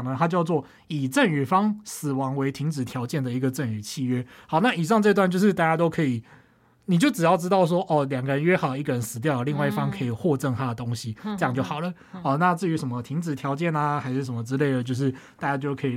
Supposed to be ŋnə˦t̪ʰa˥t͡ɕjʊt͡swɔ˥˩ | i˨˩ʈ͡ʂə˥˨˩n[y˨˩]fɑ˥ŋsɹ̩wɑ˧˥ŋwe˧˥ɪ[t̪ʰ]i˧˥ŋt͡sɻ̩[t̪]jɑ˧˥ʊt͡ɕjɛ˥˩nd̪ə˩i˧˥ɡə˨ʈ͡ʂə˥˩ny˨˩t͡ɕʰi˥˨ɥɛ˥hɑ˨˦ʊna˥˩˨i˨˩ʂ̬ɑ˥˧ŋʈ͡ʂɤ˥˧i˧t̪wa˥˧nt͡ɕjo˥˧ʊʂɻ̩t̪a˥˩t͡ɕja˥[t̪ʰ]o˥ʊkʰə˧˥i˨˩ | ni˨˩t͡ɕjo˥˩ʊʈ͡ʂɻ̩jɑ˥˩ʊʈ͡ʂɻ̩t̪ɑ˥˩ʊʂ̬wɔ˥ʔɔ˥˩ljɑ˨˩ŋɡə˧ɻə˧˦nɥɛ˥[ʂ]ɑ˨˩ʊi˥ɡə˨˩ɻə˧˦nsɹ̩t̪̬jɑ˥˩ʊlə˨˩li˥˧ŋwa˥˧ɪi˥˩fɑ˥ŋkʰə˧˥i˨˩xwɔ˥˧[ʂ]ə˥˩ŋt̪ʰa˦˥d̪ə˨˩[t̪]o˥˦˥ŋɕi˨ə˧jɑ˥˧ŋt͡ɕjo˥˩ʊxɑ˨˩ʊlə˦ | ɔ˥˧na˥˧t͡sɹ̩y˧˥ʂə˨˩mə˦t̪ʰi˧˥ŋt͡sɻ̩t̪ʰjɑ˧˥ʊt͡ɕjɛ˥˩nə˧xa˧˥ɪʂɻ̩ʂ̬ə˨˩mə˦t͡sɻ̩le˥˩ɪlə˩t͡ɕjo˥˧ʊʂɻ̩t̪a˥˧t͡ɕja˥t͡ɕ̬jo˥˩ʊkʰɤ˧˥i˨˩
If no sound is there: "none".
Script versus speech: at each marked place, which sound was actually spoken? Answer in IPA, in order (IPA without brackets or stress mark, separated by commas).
y˨˩, t̪ʰ, t̪ʰ, t̪, x, ʈ͡ʂ, t̪